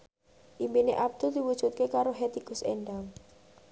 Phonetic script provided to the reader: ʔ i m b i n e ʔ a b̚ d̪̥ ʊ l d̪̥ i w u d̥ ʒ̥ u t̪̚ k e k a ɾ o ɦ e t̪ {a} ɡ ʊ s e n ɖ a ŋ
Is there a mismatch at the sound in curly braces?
yes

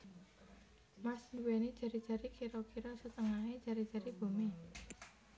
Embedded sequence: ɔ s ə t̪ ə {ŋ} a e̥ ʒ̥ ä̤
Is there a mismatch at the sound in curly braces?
no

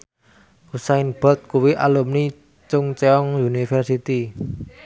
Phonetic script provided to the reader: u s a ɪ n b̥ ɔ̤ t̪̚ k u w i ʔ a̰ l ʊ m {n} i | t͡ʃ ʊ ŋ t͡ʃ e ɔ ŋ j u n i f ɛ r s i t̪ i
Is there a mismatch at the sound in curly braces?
no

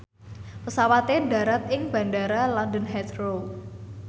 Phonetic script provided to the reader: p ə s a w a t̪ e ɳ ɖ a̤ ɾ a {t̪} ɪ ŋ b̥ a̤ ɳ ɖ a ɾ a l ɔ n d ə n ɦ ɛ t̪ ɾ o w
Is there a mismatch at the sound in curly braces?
no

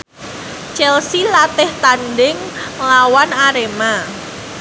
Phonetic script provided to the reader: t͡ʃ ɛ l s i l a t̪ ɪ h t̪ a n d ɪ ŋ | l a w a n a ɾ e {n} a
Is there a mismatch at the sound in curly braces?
yes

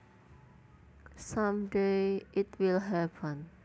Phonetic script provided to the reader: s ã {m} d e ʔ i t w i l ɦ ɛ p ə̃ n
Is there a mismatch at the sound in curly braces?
no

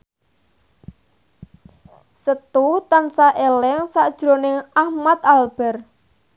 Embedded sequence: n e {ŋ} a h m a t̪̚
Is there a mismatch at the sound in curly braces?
no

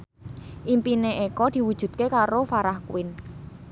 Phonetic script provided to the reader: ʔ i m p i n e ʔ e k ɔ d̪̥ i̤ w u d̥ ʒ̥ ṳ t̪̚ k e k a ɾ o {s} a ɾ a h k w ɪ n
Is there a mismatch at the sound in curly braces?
yes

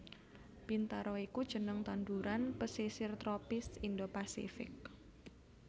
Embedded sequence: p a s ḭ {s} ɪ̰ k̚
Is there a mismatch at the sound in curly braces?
yes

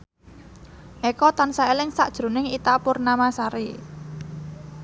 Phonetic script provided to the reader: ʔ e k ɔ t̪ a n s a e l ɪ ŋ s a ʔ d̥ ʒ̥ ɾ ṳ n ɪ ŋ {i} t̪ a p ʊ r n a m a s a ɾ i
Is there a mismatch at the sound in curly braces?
no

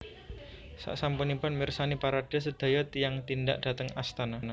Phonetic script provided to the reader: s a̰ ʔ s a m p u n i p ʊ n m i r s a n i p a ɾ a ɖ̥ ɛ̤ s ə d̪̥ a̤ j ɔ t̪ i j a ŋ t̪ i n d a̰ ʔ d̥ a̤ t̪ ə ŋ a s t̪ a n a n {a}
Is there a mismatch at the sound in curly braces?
no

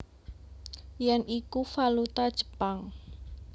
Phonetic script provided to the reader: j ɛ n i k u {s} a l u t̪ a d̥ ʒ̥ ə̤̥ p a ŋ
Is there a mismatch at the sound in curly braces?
yes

